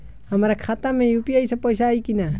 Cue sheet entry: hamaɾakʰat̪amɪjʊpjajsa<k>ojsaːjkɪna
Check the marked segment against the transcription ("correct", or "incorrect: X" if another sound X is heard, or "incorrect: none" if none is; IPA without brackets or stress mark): incorrect: p